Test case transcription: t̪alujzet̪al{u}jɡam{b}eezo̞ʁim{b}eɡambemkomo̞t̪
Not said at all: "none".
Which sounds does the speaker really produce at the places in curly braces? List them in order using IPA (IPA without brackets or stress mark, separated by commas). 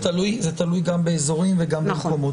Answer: u, b, v